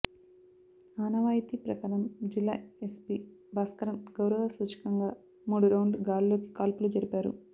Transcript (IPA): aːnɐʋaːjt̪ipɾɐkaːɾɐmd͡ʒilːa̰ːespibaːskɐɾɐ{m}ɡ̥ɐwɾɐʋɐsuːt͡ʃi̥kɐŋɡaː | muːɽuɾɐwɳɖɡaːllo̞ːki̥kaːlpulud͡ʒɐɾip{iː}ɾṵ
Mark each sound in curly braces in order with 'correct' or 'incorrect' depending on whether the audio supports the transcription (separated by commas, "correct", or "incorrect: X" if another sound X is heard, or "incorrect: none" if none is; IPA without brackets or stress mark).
correct, incorrect: aː